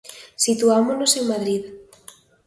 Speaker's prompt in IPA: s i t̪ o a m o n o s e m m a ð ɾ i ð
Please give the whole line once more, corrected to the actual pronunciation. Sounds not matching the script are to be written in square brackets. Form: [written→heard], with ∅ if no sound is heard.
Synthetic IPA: s i t̪ [o→u] a m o n o s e [m→ŋ] m a ð ɾ i ð